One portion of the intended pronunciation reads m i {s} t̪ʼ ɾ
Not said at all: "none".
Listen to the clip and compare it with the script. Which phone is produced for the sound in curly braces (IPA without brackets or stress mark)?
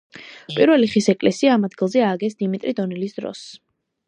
none